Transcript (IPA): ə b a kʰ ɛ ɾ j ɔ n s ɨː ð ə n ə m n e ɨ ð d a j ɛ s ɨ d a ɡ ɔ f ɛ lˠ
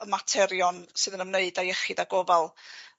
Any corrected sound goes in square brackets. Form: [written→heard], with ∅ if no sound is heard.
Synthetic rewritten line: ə [b→m] a [kʰ→tʰ] ɛ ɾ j ɔ n s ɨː ð ə n ə m n e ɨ [ð→∅] d a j ɛ [s→χ] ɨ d a ɡ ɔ [f→v] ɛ lˠ